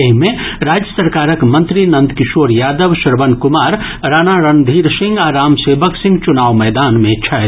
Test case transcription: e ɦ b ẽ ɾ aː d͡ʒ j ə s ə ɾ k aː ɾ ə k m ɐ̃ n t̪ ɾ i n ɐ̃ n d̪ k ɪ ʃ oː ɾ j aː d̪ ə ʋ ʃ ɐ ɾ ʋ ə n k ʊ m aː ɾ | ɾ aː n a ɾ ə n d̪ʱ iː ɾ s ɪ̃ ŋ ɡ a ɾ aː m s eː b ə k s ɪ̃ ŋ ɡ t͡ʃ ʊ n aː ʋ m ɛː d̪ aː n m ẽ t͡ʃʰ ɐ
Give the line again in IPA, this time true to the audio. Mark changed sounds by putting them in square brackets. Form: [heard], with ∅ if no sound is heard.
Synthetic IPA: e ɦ [m] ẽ ɾ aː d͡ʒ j ə s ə ɾ k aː ɾ ə k m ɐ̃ n t̪ ɾ i n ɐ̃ n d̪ k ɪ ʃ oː ɾ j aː d̪ ə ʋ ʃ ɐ ɾ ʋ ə n k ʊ m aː ɾ | ɾ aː n a ɾ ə n d̪ʱ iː ɾ s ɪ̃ ŋ ɡ a ɾ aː m s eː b ə k s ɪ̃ ŋ ɡ t͡ʃ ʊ n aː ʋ m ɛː d̪ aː n m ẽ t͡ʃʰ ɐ